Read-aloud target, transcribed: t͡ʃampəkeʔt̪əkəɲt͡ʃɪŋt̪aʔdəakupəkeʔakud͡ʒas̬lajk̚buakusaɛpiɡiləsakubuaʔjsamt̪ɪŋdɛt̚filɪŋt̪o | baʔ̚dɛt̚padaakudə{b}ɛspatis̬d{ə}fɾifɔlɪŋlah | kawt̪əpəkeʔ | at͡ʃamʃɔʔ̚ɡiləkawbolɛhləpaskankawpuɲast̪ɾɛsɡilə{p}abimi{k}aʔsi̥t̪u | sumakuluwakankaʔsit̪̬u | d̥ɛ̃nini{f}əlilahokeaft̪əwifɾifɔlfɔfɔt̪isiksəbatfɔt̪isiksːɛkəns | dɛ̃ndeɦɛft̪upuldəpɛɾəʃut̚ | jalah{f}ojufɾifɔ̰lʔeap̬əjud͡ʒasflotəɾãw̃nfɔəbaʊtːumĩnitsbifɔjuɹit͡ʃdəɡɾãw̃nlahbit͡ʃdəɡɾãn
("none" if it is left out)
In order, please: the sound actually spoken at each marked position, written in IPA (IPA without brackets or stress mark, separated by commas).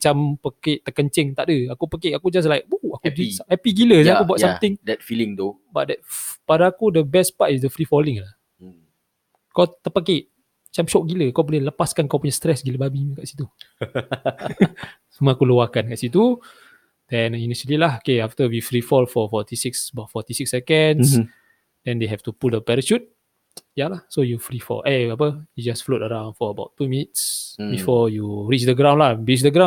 b, ə, b, k, ʃ, s